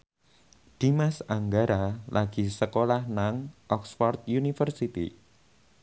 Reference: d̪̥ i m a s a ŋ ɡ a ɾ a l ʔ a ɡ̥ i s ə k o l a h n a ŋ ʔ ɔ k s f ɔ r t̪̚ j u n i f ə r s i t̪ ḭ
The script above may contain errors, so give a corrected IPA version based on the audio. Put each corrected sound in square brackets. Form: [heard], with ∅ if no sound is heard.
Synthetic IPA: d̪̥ i m a s a ŋ ɡ a ɾ a l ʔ a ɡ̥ i s ə k o l a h n a ŋ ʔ ɔ k s f ɔ r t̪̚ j u n i f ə r s i t̪ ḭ